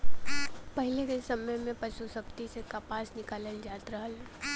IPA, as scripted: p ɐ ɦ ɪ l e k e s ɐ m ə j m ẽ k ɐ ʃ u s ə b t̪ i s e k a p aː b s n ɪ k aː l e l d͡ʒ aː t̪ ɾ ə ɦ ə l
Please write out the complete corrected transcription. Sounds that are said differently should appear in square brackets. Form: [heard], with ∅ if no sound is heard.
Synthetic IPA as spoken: p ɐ ɦ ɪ l e k e s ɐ m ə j m ẽ [p] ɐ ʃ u s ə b t̪ i s e k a p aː [∅] s n ɪ k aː l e l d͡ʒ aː t̪ ɾ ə ɦ ə l